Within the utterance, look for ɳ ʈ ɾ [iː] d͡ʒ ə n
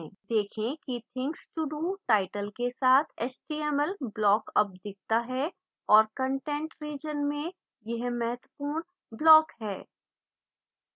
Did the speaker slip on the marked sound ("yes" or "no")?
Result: no